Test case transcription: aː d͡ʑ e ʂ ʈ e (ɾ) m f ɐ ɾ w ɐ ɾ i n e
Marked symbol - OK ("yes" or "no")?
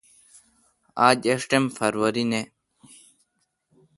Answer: no